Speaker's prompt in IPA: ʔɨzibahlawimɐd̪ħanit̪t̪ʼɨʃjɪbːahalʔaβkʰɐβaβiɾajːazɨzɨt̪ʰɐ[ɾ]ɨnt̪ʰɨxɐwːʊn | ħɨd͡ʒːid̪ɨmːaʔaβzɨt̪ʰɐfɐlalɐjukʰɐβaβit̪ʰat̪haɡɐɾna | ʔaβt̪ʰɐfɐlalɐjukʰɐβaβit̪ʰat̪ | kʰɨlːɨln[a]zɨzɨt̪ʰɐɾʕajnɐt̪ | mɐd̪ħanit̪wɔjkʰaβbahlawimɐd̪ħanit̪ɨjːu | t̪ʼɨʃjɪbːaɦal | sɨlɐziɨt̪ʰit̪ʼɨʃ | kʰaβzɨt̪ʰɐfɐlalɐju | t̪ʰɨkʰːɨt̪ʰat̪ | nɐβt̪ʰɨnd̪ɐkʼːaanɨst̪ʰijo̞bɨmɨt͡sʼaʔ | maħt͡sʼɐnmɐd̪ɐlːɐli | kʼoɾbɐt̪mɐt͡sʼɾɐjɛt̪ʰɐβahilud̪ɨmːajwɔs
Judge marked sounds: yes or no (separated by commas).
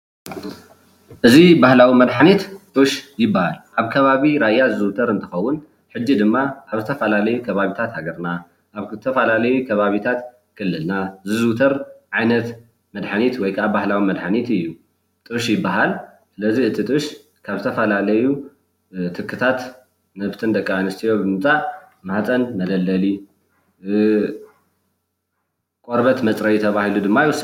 yes, yes